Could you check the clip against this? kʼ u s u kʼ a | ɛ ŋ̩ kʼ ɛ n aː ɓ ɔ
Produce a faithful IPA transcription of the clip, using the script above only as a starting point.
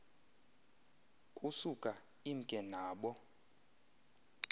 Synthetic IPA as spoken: kʼ u s u kʼ a | i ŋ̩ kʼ ɛ n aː ɓ ɔ